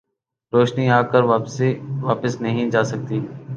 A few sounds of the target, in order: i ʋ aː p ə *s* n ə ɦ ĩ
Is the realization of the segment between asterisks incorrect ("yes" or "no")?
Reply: no